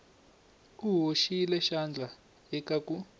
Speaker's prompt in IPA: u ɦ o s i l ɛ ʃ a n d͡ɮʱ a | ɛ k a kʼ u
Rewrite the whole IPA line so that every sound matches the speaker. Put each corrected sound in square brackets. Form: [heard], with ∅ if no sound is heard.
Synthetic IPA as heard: u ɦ o [ʃ] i l ɛ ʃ a n d͡ɮʱ a | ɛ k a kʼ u